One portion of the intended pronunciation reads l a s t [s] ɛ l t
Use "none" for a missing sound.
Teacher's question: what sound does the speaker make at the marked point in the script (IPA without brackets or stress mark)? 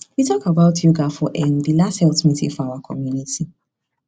h